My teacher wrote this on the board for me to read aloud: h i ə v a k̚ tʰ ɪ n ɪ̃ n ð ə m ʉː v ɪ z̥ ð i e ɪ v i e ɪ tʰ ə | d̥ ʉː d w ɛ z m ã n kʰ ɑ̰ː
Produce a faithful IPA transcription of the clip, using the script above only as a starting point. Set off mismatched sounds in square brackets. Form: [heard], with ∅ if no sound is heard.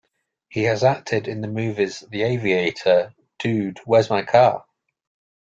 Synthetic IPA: h i ə [z] a k̚ tʰ ɪ [d] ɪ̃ n ð ə m ʉː v ɪ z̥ ð i e ɪ v i e ɪ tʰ ə | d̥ ʉː d w ɛ z m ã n kʰ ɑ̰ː

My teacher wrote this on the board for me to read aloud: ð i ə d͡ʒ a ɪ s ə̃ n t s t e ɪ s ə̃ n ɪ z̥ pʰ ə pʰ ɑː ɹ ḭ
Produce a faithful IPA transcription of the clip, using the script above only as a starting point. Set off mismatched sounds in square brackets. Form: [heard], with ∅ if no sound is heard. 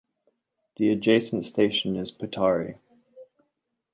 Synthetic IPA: ð i ə d͡ʒ [e] ɪ s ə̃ n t s t e ɪ [ʃ] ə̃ n ɪ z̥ pʰ ə [tʰ] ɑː ɹ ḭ

